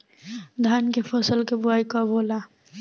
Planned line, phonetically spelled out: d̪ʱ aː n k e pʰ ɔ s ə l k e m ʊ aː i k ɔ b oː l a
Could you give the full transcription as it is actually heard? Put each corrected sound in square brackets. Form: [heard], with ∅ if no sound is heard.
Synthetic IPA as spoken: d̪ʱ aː n k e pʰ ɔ s ə l k e [b] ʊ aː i k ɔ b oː l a